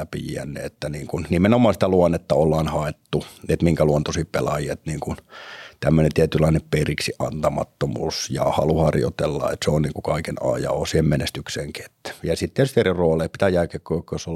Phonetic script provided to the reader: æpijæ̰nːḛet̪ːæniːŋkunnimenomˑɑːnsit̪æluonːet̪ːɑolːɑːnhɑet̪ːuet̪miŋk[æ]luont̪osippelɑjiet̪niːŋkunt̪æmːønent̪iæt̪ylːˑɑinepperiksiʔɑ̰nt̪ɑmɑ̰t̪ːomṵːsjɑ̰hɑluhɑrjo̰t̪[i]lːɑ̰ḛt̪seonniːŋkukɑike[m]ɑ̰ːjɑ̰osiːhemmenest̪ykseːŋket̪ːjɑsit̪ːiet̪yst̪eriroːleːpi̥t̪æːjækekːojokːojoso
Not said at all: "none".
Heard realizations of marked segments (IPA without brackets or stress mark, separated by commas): æ, e, n